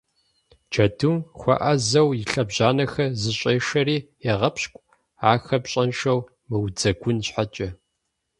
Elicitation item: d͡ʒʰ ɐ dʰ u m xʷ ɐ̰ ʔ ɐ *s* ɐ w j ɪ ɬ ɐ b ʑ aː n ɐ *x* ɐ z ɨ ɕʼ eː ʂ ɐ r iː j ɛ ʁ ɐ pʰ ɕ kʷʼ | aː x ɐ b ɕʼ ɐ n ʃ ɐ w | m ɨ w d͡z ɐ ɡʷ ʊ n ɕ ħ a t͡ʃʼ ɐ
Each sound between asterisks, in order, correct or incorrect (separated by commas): incorrect, correct